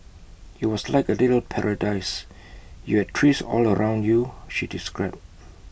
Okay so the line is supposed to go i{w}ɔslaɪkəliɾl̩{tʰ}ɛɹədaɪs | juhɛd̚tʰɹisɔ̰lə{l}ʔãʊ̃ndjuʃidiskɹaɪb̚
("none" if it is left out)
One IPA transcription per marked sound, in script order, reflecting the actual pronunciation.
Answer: w, pʰ, ɹ

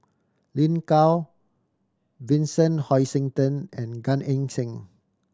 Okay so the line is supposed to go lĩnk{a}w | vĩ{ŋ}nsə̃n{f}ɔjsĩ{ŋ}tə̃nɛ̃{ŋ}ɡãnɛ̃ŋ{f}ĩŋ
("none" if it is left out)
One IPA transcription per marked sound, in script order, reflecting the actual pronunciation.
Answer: a, none, h, ŋ, n, s

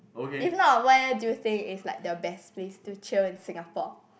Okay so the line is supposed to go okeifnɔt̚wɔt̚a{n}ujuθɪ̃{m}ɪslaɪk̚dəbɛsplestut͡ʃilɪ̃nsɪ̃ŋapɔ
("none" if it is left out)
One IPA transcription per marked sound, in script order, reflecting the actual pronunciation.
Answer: d, ŋ

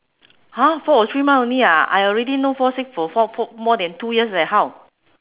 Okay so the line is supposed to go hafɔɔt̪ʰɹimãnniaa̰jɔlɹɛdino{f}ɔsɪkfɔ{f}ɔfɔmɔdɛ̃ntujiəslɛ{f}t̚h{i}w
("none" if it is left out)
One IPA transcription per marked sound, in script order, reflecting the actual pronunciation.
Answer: f, f, none, a

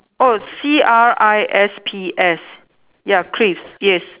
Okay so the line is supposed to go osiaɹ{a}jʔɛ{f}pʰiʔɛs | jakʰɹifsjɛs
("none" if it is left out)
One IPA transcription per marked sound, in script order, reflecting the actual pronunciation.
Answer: a, s

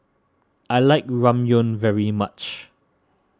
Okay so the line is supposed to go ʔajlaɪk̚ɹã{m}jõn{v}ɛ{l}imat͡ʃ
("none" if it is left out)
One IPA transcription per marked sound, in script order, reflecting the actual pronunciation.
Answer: m, v, ɹ

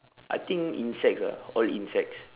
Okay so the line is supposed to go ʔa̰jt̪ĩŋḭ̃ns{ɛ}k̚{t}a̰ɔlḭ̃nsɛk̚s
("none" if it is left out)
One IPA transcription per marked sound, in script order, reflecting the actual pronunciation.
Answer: ɛ, s

